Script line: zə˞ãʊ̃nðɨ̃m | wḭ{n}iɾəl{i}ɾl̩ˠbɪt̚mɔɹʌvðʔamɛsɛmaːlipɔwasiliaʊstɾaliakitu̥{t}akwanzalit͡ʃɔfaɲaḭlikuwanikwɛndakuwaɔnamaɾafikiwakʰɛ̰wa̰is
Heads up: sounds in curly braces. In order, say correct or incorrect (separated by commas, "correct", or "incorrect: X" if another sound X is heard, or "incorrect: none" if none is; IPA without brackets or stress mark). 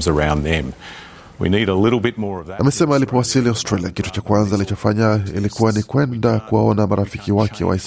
correct, incorrect: ɪ, incorrect: t͡ʃ